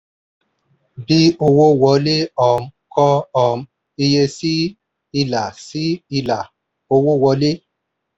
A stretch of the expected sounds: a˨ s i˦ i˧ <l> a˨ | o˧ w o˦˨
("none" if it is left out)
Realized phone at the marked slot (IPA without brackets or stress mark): l